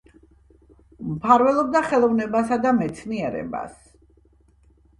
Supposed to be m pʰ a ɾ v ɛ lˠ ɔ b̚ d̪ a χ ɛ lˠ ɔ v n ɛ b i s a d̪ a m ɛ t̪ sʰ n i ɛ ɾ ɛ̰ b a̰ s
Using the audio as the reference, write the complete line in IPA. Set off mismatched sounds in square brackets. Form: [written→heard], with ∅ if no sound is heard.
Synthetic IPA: m pʰ a ɾ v ɛ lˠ ɔ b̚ d̪ a χ ɛ lˠ ɔ v n ɛ b [i→a] s a d̪ a m ɛ t̪ sʰ n i ɛ ɾ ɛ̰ b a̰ s